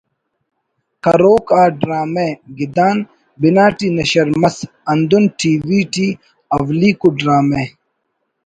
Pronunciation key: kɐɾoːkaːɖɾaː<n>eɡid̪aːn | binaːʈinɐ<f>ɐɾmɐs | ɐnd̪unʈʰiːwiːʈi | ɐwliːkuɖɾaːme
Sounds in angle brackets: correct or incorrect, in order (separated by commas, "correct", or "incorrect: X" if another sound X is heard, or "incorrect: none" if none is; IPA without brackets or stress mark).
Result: incorrect: m, incorrect: ɕ